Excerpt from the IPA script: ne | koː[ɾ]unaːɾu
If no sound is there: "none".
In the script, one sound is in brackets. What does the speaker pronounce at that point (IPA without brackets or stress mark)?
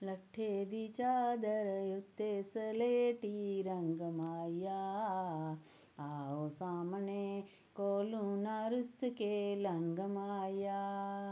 l